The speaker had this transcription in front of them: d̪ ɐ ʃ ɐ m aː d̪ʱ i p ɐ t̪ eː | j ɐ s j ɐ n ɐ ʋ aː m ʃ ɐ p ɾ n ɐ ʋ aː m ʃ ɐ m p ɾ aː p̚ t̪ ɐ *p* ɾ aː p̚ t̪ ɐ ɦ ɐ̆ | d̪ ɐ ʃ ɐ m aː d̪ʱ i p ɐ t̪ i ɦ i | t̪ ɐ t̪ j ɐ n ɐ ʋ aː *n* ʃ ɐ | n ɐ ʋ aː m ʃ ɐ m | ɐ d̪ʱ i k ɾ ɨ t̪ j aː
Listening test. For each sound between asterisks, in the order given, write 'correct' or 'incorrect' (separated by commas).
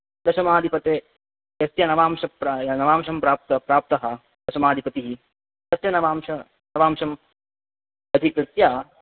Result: correct, incorrect